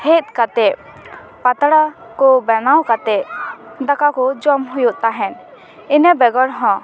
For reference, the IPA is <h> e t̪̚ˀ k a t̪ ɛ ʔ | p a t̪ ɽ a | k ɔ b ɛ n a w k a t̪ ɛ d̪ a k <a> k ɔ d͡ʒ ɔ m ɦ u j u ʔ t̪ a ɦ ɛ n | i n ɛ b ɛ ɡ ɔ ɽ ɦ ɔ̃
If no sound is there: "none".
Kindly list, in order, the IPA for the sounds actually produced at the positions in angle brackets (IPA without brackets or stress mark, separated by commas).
h, a